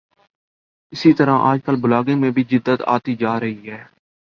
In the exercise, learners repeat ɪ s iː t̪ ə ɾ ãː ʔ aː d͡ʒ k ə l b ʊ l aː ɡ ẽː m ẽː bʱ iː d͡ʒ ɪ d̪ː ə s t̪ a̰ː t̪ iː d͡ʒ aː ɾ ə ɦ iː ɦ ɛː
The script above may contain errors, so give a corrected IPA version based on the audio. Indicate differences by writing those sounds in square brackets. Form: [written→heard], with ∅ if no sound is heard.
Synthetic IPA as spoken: ɪ s iː t̪ ə ɾ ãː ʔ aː d͡ʒ k ə l b ʊ l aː ɡ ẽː m ẽː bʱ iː d͡ʒ ɪ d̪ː ə [s→∅] t̪ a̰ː t̪ iː d͡ʒ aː ɾ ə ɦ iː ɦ ɛː